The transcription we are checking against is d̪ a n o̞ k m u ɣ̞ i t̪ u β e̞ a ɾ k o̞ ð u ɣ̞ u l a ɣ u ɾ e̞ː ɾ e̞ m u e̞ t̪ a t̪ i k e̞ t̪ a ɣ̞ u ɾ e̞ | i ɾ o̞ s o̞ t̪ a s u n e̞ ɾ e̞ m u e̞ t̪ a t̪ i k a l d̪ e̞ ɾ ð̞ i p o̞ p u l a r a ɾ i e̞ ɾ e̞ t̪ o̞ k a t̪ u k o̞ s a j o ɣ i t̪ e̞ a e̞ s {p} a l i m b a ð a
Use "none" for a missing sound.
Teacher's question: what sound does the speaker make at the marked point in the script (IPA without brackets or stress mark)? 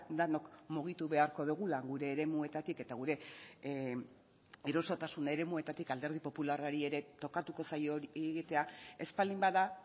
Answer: p